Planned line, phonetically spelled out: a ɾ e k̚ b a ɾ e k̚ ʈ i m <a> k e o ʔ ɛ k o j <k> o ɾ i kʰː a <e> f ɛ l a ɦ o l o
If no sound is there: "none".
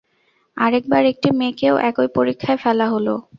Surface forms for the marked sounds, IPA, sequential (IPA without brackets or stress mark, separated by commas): e, p, e